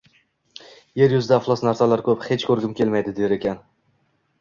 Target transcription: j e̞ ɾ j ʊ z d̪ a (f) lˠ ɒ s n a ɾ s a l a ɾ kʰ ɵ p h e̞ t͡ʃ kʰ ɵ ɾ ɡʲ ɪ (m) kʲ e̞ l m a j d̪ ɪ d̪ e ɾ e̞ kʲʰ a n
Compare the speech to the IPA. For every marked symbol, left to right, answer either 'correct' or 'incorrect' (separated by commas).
correct, correct